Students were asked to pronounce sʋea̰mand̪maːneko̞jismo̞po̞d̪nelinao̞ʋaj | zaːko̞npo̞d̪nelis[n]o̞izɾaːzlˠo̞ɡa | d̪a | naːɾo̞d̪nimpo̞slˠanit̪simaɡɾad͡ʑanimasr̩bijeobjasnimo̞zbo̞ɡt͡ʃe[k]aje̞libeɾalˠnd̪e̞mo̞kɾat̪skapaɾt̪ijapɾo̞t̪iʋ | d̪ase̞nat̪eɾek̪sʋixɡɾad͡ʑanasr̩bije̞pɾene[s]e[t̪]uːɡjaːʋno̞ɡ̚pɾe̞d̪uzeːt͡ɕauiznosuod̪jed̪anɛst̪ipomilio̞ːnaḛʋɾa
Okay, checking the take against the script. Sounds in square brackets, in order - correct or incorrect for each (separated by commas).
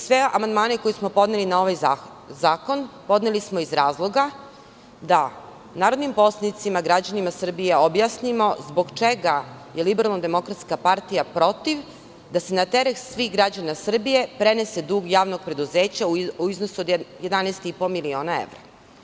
incorrect, incorrect, correct, incorrect